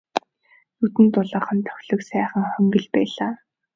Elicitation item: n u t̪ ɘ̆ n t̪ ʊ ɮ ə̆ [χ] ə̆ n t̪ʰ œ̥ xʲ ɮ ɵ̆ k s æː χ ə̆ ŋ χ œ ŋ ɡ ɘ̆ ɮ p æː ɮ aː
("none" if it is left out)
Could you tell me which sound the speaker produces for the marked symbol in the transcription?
χ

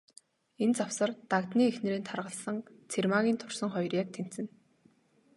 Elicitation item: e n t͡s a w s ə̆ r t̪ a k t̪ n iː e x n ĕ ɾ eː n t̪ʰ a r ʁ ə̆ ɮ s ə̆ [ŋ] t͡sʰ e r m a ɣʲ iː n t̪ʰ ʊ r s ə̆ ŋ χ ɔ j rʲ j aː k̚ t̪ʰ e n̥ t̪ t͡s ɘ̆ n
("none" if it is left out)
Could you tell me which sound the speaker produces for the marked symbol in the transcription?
ŋ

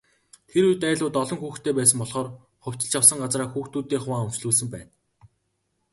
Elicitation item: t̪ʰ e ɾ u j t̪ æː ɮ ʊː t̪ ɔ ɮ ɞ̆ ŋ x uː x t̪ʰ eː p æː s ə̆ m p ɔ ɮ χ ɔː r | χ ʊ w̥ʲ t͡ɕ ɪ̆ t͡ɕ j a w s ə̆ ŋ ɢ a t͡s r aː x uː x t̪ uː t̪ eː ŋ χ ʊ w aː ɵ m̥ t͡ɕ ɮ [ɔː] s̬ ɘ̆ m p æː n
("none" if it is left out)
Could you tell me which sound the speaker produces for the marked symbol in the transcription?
uː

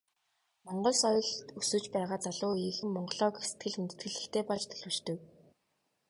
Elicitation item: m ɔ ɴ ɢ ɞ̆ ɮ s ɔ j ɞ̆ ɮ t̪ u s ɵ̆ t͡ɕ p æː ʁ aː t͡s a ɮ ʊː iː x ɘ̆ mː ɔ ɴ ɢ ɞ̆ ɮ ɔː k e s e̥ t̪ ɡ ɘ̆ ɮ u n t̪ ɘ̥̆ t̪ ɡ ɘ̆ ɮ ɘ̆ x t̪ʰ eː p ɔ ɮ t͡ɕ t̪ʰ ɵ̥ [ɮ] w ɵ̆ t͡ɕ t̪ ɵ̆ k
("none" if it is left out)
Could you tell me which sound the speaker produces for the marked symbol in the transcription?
ɮ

